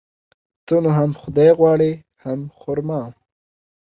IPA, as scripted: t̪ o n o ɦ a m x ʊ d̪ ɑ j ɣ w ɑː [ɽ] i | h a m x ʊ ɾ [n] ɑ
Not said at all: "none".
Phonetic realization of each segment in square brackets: ɽ, m

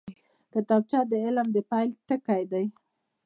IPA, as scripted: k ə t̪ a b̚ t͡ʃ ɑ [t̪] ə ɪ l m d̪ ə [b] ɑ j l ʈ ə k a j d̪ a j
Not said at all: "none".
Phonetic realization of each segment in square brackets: d̪, p

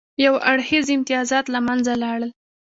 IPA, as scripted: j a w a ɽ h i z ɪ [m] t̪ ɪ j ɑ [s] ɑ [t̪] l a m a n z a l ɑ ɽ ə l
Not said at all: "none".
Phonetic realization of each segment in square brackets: m, z, t̪

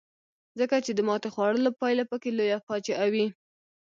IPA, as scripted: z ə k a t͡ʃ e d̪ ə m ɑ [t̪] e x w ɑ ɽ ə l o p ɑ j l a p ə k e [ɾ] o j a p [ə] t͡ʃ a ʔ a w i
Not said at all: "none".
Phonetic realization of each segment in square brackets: t̪, l, ɑ

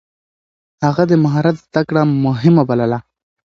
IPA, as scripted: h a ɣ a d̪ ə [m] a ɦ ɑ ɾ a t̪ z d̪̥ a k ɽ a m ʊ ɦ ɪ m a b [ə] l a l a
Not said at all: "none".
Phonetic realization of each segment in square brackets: m, a

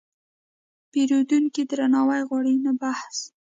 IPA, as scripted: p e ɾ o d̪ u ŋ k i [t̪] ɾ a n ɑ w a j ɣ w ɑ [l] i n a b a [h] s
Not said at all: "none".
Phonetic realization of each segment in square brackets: d̪, ɽ, h

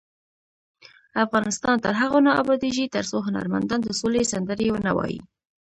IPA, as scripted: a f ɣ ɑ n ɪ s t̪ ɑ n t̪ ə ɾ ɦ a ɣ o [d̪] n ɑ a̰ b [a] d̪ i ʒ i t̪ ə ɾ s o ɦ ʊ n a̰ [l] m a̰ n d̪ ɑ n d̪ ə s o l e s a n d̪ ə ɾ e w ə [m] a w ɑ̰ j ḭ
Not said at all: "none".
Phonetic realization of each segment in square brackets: none, ɑ, ɾ, n

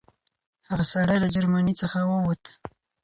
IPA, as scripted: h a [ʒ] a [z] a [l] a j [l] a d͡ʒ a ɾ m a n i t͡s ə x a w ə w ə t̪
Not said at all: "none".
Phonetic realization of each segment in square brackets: ɣ, s, ɽ, l

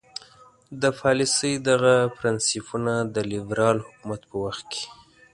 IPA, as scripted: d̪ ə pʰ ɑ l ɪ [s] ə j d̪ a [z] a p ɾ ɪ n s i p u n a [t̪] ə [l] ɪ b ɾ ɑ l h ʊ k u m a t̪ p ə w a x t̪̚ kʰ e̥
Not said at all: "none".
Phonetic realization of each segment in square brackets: s, ɣ, d̪, l

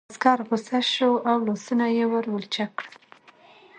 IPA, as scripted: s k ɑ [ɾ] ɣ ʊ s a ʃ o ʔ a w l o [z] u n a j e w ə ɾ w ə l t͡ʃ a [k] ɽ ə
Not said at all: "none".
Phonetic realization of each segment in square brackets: ɾ, s, k

